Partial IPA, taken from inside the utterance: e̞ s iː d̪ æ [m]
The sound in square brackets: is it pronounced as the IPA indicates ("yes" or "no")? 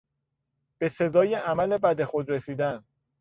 no